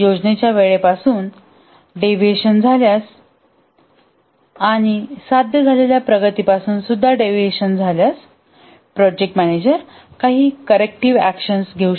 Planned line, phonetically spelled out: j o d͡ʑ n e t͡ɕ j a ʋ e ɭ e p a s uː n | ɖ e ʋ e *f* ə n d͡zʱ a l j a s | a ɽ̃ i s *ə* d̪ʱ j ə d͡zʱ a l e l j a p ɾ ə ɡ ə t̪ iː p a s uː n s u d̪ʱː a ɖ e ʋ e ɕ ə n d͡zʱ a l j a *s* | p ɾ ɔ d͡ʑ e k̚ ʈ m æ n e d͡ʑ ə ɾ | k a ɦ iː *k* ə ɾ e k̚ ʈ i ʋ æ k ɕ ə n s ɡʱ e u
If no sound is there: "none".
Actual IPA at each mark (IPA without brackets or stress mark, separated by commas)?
ɕ, a, s, k